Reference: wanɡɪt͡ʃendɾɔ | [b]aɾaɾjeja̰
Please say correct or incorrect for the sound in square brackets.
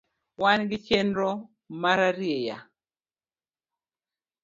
incorrect